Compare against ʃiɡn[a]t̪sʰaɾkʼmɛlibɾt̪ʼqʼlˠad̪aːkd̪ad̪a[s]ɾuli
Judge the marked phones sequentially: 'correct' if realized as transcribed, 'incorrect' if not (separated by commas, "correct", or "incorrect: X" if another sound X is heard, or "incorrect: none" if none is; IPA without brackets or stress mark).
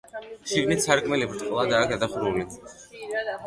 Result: incorrect: i, incorrect: χ